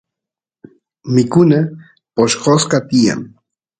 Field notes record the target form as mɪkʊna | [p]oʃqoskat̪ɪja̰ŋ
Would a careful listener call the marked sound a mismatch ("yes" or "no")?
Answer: no